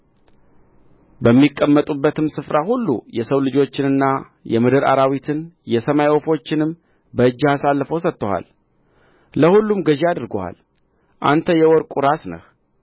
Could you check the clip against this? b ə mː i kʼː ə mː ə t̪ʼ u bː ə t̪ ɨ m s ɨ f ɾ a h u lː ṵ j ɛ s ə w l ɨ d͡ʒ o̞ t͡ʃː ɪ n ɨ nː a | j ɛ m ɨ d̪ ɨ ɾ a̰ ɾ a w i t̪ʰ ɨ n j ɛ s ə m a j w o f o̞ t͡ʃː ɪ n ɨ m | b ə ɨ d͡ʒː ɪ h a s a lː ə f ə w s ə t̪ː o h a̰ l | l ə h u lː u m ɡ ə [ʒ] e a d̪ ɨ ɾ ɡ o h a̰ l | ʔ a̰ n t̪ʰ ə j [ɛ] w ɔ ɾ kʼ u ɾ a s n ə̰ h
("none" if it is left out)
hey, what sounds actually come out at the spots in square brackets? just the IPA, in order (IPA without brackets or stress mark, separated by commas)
ʒ, ɛ